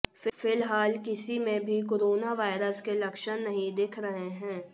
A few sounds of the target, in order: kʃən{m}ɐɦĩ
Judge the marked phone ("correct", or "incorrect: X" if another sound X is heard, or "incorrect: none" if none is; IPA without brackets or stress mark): incorrect: n